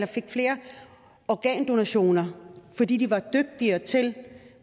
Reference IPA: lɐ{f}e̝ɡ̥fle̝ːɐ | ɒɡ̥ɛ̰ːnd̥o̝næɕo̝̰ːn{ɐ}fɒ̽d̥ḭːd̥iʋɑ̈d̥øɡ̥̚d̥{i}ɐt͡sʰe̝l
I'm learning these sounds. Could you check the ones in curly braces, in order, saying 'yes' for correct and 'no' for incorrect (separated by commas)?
yes, yes, yes